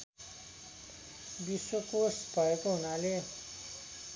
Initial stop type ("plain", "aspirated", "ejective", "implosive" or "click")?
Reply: plain